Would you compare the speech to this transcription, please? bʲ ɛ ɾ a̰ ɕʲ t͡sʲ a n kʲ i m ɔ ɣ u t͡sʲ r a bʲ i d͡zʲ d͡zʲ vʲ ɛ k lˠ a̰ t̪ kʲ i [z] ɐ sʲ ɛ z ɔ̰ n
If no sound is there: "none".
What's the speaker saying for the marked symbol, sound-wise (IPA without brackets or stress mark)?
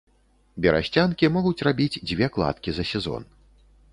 z